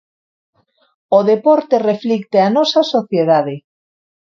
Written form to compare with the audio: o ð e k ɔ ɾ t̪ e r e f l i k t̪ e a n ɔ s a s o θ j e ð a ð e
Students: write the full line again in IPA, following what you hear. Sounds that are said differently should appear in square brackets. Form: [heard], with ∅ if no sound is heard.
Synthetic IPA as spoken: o ð e [p] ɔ ɾ t̪ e r e f l i k t̪ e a n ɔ s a s o θ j e ð a ð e